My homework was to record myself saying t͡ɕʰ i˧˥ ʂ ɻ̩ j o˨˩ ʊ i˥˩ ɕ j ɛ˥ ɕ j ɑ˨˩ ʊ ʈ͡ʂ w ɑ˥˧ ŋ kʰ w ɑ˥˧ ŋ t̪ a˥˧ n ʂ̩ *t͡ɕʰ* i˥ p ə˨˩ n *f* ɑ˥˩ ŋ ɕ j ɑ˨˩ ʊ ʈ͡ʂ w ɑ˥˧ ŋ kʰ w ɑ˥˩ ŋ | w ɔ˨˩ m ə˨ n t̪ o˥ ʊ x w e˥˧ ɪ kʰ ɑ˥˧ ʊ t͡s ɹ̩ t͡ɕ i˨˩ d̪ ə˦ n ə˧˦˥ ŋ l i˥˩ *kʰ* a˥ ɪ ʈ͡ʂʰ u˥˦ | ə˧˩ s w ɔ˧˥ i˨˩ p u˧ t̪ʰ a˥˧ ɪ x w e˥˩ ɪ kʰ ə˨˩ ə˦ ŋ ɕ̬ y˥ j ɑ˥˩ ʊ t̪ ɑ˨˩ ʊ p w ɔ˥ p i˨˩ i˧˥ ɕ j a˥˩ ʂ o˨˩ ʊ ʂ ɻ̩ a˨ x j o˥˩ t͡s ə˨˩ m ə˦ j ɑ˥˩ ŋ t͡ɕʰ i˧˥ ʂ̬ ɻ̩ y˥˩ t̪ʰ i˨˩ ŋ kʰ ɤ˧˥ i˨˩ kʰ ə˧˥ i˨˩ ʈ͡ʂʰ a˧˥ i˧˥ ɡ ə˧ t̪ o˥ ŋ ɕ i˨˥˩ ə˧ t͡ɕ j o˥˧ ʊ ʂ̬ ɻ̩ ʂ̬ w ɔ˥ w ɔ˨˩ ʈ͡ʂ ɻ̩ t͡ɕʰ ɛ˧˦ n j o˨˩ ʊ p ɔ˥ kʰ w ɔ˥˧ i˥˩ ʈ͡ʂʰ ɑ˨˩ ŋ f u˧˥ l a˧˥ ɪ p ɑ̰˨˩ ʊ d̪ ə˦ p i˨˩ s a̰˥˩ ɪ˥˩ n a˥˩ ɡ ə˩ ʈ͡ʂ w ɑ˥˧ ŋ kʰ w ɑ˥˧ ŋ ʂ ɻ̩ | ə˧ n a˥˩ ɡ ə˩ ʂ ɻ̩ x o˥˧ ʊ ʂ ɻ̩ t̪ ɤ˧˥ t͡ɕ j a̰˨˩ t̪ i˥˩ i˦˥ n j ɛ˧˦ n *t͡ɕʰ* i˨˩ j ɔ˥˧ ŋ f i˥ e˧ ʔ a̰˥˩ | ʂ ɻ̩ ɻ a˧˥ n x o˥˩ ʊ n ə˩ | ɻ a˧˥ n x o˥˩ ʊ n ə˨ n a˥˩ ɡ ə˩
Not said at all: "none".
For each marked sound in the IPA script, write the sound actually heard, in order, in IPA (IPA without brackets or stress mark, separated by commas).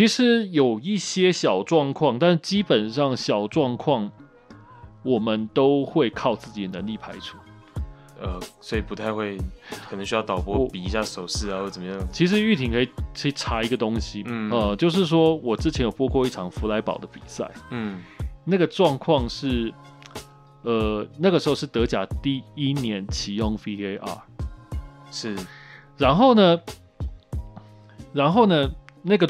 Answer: t͡ɕ, ʂ, pʰ, t͡ɕʰ